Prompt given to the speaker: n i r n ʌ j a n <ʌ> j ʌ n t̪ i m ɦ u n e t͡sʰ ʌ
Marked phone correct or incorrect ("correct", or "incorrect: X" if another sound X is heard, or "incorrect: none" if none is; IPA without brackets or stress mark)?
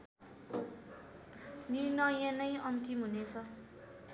correct